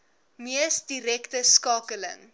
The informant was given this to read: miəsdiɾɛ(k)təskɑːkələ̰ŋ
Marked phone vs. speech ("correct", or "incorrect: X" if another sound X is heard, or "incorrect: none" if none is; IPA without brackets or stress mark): correct